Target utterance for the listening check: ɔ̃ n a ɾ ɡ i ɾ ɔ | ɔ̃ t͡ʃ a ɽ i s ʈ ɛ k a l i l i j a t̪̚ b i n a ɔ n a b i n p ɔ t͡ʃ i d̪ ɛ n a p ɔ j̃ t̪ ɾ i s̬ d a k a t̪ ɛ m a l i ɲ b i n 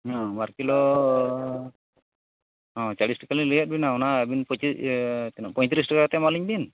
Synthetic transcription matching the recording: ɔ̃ m a ɾ k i l ɔ | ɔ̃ t͡ʃ a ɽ i s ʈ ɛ k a l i l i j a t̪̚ b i n a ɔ n a b i n p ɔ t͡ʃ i t̪ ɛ n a p ɔ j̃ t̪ ɾ i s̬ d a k a t̪ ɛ m a l i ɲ b i n